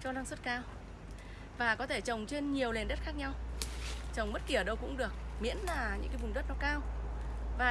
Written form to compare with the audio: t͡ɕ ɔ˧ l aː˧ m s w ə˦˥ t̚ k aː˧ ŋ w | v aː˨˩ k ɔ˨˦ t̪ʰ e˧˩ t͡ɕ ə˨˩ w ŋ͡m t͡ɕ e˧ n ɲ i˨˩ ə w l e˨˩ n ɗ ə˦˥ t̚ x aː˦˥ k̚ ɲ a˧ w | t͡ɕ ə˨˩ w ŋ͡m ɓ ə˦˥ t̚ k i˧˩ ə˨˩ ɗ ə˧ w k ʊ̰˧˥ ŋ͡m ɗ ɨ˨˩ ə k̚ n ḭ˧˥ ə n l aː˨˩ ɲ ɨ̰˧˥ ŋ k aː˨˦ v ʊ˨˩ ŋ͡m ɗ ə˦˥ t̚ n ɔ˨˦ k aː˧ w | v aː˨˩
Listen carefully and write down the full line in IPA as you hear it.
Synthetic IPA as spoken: t͡ɕ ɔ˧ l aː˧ ŋ s w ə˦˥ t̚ k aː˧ w | v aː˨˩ k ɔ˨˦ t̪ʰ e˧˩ t͡ɕ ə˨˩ w ŋ͡m t͡ɕ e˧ n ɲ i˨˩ ə w l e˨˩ n ɗ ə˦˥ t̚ x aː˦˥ k̚ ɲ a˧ w | t͡ɕ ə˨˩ w ŋ͡m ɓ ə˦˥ t̚ k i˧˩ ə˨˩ ɗ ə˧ w k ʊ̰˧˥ ŋ͡m ɗ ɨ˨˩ ə k̚ m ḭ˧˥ ə n l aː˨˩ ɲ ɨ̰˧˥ ŋ k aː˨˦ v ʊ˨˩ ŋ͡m ɗ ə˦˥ t̚ n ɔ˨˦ k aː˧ w | v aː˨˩